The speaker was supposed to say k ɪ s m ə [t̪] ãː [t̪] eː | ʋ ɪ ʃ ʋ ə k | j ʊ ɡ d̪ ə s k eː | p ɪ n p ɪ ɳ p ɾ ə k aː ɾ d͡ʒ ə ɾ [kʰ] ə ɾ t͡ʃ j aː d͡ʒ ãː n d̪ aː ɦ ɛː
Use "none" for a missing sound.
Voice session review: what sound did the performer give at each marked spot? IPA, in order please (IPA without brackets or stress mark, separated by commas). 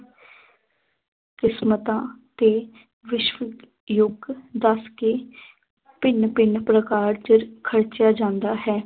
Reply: t̪, t̪, kʰ